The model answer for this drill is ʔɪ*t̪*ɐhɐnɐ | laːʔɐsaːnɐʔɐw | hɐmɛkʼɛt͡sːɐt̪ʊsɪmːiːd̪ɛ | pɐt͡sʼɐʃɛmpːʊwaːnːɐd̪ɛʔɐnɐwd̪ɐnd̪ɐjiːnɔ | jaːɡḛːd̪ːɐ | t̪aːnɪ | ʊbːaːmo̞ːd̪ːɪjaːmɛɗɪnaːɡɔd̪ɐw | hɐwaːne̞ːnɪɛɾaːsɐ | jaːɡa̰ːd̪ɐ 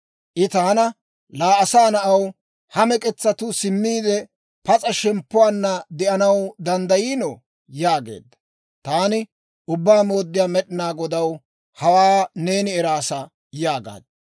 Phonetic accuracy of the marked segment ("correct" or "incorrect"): correct